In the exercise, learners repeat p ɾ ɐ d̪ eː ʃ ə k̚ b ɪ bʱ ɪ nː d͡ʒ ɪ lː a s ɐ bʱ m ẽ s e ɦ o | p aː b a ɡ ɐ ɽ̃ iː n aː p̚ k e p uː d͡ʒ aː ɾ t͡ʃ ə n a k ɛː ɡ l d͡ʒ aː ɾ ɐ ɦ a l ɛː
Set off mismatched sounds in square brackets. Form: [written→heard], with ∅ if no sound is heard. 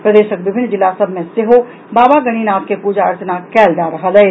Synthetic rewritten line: p ɾ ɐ d̪ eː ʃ ə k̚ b ɪ bʱ ɪ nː d͡ʒ ɪ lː a s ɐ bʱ m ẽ s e ɦ o | [p→b] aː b a ɡ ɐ ɽ̃ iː n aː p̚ k e p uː d͡ʒ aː ɾ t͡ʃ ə n a k ɛː [ɡ→∅] l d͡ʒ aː ɾ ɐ ɦ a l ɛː